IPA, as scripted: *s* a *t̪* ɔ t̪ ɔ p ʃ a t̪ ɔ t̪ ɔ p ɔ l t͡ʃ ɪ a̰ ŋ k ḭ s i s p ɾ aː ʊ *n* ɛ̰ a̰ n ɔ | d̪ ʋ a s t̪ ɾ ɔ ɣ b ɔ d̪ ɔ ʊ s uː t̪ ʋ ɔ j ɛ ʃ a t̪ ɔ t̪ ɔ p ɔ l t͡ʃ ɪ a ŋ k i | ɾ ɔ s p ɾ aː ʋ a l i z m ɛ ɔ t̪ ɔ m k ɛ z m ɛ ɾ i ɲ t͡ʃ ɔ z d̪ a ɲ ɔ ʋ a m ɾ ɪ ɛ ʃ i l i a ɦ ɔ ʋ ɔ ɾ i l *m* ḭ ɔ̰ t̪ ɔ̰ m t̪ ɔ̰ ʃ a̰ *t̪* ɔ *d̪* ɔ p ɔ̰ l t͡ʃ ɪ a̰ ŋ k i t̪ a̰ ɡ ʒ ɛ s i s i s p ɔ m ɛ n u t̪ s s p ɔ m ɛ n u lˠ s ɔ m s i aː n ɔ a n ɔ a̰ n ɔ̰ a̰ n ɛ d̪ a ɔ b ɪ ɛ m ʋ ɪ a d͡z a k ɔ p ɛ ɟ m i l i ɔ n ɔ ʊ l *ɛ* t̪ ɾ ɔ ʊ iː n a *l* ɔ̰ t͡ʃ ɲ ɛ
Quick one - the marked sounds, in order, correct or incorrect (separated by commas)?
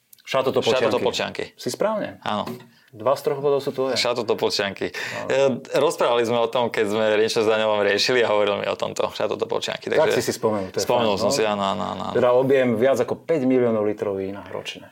incorrect, correct, incorrect, correct, correct, incorrect, incorrect, incorrect